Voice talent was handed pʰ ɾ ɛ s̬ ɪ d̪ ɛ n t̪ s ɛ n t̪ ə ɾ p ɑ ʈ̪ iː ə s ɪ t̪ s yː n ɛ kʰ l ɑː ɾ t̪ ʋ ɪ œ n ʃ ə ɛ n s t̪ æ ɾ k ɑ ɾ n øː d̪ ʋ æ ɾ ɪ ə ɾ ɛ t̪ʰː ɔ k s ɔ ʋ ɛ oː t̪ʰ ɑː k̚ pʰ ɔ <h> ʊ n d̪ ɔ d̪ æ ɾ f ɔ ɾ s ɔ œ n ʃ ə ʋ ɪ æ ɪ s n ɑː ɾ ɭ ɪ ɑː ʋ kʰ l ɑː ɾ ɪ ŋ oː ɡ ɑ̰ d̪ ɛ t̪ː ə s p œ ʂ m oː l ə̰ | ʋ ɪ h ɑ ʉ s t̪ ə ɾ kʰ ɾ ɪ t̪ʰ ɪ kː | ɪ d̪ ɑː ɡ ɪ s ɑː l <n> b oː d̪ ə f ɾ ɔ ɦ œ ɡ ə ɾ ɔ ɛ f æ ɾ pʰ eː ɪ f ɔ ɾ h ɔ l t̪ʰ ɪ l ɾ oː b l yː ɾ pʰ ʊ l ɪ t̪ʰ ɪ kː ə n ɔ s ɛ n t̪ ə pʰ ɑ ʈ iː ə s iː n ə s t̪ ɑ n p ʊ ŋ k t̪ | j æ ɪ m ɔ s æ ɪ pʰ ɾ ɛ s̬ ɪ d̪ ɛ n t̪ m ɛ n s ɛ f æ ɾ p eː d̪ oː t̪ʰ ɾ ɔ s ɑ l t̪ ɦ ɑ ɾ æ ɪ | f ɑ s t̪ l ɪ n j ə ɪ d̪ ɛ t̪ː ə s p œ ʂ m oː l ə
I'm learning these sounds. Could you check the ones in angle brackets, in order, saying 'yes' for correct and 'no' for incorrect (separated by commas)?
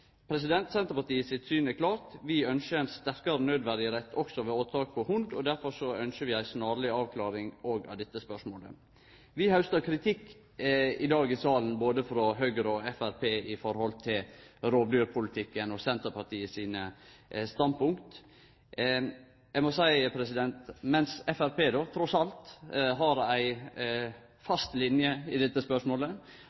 yes, yes